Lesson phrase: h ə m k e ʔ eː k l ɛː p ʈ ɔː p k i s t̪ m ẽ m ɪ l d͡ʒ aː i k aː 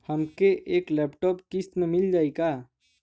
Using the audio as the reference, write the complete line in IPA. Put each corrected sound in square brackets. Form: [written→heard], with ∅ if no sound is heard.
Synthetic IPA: h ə m k e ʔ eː k l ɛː p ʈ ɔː p k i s t̪ m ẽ m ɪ l d͡ʒ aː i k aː